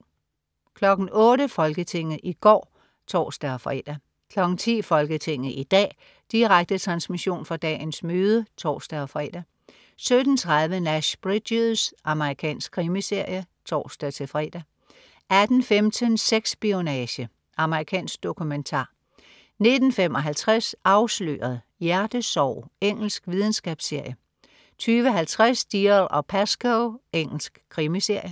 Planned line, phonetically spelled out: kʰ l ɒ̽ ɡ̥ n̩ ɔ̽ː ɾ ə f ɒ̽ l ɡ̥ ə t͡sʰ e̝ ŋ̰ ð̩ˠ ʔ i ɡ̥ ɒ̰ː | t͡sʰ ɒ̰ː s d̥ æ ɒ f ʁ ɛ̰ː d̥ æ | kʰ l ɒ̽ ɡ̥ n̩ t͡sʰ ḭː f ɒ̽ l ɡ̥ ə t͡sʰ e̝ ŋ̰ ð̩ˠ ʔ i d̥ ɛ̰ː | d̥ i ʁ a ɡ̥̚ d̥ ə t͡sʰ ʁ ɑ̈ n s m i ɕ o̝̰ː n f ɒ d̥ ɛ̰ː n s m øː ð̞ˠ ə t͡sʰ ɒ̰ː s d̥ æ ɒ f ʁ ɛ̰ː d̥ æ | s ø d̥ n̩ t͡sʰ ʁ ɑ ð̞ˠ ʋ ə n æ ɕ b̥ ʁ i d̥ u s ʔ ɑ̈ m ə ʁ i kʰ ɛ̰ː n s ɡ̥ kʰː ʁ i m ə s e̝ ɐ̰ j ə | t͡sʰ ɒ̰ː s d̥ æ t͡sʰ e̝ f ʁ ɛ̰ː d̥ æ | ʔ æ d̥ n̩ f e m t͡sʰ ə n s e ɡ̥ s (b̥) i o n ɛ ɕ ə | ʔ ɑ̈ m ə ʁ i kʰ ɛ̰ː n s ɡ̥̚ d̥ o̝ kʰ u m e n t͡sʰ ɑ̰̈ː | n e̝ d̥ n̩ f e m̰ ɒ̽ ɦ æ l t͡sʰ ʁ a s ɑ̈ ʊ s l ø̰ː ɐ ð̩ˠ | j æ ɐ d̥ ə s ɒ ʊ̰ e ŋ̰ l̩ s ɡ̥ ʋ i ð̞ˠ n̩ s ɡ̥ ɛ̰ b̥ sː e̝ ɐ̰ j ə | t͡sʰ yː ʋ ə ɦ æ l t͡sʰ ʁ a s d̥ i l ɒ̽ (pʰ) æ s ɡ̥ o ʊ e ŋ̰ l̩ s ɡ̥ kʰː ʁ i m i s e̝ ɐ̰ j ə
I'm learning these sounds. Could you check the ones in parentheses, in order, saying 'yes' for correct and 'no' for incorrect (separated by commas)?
yes, yes